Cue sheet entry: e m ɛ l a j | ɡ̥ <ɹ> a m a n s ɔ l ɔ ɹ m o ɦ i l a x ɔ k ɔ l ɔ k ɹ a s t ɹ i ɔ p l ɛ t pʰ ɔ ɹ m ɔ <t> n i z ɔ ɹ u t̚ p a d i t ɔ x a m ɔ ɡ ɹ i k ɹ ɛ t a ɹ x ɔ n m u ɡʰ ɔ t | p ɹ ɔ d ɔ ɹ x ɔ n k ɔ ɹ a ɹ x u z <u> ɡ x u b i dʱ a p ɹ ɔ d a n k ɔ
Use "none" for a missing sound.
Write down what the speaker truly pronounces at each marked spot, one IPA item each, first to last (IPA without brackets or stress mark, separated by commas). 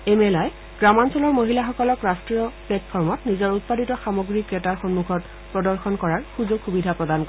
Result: ɹ, t, o